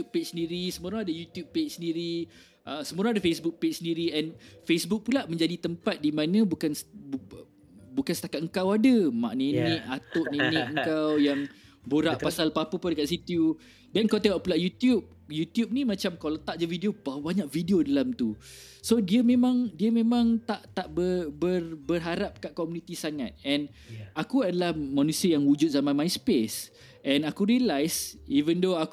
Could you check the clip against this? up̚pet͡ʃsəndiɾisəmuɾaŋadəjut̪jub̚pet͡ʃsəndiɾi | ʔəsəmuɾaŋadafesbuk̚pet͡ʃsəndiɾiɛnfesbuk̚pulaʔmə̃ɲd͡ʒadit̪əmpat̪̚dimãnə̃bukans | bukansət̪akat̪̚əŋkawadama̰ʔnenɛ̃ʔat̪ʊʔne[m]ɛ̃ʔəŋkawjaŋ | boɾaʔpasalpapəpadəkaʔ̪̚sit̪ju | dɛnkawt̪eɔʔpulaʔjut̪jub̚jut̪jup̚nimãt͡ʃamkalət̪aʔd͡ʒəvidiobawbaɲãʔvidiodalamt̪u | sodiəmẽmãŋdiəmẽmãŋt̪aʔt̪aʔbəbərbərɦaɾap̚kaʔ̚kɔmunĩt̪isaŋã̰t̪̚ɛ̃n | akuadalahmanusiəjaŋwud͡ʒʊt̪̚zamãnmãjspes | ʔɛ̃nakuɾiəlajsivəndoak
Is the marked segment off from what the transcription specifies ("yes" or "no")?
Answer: yes